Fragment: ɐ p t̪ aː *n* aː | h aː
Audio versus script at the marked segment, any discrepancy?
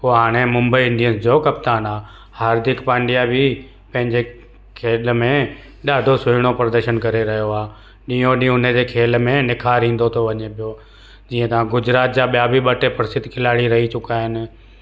no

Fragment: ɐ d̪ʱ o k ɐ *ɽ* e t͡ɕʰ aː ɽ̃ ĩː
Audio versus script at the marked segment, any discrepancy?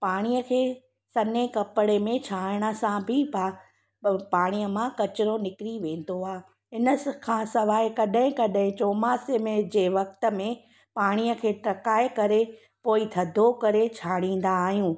yes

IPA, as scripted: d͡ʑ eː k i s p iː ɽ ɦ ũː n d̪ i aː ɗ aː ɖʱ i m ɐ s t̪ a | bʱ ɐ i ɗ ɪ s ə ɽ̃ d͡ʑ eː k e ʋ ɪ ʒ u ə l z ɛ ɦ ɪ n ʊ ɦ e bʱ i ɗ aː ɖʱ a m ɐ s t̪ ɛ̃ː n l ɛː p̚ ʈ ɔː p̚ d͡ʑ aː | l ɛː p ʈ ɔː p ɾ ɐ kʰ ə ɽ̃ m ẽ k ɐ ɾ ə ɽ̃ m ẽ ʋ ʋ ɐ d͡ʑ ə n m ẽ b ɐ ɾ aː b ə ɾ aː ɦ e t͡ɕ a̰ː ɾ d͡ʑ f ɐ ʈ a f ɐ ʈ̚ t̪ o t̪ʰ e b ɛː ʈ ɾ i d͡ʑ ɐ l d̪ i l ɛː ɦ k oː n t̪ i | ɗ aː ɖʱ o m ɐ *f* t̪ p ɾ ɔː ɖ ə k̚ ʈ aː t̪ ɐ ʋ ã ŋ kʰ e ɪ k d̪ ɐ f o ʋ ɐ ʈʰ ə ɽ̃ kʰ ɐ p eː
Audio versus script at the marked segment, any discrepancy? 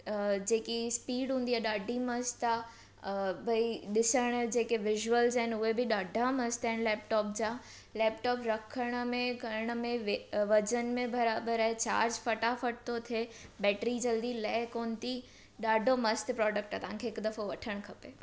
yes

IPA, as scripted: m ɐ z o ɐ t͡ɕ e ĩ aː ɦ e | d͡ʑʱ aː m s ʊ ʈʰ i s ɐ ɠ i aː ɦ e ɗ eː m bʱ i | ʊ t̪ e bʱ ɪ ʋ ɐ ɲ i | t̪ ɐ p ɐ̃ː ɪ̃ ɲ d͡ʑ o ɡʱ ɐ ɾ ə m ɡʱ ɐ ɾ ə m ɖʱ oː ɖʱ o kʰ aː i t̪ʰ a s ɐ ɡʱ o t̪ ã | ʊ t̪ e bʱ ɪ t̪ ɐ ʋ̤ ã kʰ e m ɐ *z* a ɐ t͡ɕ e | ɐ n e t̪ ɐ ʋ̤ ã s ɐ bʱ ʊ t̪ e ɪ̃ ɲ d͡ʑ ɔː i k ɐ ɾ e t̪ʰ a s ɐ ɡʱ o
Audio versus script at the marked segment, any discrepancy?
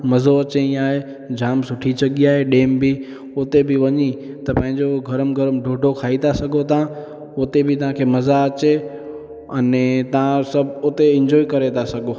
no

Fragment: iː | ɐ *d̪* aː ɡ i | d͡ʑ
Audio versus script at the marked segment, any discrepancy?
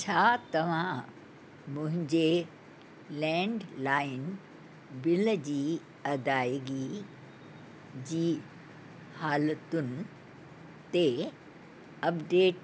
no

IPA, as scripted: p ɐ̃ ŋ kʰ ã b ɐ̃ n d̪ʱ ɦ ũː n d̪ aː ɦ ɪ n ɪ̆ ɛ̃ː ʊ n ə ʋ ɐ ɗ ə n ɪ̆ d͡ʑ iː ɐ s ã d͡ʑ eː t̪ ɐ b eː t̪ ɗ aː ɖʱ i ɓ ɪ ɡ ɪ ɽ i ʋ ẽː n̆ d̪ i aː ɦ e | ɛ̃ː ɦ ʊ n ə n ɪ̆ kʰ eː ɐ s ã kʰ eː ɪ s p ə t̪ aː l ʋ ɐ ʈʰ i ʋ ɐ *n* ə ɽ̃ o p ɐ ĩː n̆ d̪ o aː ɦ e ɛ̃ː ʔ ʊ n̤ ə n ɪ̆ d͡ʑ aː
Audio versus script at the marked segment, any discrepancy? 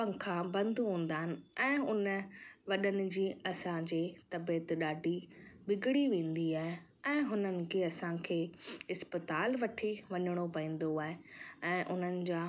yes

